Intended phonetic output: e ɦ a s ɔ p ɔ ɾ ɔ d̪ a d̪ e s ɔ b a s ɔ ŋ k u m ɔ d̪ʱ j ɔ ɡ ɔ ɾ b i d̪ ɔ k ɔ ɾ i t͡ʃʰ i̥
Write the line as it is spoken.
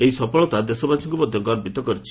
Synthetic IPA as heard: e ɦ i s ɔ p ɔ ɭ ɔ t̪ a d̪ e s ɔ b a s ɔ ŋ k u m ɔ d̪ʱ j ɔ ɡ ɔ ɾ b i t̪ ɔ k ɔ ɾ i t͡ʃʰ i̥

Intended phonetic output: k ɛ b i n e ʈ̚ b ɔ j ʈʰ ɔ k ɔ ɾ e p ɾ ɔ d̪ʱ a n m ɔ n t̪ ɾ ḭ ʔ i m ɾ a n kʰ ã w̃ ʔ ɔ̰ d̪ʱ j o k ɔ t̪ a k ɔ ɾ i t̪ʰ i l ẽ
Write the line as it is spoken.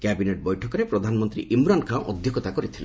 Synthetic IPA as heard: k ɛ b i n e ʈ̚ b ɔ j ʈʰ ɔ k ɔ ɾ e p ɾ ɔ d̪ʱ a n m ɔ n t̪ ɾ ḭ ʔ i m ɾ a n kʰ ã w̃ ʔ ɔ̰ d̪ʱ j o k ɔ t̪ a k ɔ ɾ i t̪ʰ i l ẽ

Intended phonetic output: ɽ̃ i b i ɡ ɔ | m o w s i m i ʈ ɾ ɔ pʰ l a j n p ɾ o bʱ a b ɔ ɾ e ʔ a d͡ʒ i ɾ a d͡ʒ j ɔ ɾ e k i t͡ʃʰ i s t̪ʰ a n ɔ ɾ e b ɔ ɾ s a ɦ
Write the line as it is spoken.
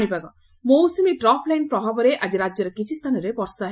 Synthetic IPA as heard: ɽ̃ i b a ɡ ɔ | m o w s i m i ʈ ɾ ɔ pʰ l a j n p ɾ ɔ bʱ a b ɔ ɾ e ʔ a d͡ʒ i ɾ a d͡ʒ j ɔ ɾ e k i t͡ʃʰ i s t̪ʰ a n ɔ ɾ e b ɔ ɾ s a ɦ

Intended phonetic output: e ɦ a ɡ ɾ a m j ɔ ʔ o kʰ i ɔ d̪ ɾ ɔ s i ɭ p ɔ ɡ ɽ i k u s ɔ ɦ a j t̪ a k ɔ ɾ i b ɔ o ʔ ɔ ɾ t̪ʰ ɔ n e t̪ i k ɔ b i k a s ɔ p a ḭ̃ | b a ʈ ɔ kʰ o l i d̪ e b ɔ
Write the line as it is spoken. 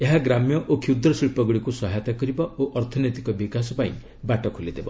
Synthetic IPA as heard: e ɦ a ɡ ɾ a m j ɔ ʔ o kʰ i u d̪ ɾ ɔ s i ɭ p ɔ ɡ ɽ i k u s ɔ ɦ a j t̪ a k ɔ ɾ i b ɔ o ʔ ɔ ɾ t̪ʰ ɔ n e t̪ i k ɔ b i k a s ɔ p a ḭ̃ | b a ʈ ɔ kʰ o l i d̪ e b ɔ

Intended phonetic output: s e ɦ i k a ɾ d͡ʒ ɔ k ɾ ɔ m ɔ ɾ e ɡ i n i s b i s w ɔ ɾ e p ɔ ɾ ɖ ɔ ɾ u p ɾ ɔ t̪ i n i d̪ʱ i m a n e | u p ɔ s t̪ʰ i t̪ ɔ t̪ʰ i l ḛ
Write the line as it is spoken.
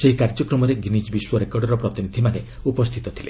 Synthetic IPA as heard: s e ɦ i k a ɾ d͡ʒ ɔ k ɾ ɔ m ɔ ɾ e ɡ i n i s b i s w ɔ ɾ e k ɔ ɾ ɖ ɔ ɾ ɔ p ɾ ɔ t̪ i n i d̪ʱ i m a n e | u p ɔ s t̪ʰ i t̪ ɔ t̪ʰ i l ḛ

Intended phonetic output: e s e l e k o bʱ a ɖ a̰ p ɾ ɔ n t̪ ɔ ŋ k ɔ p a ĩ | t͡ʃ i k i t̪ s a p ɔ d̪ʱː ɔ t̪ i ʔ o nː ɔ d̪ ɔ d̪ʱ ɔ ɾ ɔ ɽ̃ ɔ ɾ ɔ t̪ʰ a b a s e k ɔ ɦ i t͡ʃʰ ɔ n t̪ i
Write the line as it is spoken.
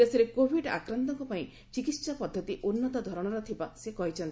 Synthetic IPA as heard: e s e ɾ e k o bʱ i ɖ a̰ k ɾ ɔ n t̪ ɔ ŋ k ɔ p a ĩ | t͡ʃ i k i t̪ s a p ɔ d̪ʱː ɔ t̪ i ʔ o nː ɔ t̪ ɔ d̪ʱ ɔ ɾ ɔ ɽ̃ ɔ ɾ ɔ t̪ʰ i b a s e k ɔ ɦ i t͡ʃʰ ɔ n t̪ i

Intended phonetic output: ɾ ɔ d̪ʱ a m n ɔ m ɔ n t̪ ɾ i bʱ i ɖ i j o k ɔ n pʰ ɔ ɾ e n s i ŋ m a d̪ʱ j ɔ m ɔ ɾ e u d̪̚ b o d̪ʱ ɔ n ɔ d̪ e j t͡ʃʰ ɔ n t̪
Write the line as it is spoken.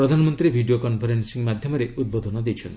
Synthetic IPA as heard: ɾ ɔ d̪ʱ a n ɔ m ɔ n t̪ ɾ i bʱ i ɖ i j o k ɔ n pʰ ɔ ɾ e n s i ŋ m a d̪ʱ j ɔ m ɔ ɾ e u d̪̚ b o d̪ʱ ɔ n ɔ d̪ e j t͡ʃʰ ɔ n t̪

